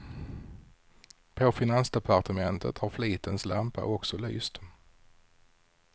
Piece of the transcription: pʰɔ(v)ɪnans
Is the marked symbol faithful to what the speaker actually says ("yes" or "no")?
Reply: no